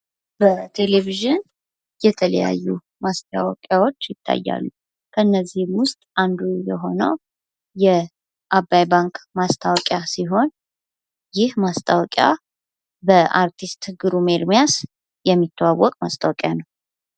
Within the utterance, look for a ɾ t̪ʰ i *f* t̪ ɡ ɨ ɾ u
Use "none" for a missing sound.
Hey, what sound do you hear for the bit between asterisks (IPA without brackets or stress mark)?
s